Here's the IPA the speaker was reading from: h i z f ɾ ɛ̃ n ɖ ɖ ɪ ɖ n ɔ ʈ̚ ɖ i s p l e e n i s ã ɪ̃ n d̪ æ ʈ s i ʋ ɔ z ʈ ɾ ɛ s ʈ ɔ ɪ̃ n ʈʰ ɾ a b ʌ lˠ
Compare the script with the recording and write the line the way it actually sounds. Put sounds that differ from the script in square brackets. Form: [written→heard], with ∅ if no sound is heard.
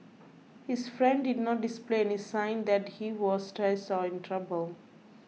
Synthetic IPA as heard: h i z f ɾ ɛ̃ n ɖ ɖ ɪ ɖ n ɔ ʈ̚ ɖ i s p l e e n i s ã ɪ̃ n d̪ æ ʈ [s→h] i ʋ ɔ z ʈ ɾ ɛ s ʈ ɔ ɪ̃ n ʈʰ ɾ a b [ʌ→ə] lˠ